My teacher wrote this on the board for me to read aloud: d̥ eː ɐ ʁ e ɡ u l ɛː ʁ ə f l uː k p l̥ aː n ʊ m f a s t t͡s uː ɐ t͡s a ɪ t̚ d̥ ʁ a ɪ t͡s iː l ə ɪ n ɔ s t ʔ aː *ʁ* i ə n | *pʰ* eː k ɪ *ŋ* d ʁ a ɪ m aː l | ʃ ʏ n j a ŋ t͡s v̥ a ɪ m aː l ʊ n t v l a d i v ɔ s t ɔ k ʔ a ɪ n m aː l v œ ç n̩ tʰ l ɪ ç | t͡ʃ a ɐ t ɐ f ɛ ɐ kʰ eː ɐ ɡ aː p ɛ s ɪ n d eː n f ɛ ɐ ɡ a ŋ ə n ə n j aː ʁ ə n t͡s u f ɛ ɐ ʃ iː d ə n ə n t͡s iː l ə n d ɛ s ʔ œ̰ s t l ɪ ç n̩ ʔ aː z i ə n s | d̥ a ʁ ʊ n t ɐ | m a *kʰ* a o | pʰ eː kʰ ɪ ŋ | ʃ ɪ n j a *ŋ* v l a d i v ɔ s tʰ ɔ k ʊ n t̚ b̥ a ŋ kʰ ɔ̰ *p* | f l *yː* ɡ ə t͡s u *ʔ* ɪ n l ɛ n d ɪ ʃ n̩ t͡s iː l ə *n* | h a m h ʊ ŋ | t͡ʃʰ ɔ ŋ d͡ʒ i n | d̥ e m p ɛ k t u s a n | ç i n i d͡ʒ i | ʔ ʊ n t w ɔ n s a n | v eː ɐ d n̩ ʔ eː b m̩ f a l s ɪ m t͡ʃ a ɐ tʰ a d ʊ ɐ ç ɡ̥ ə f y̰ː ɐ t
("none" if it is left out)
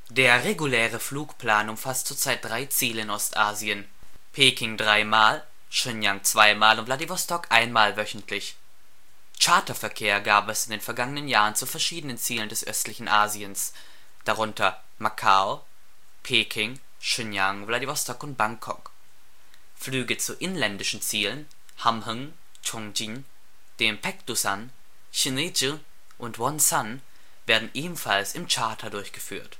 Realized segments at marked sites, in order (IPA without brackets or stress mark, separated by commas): z, pʰ, ŋ, kʰ, ŋ, k, yː, ʔ, n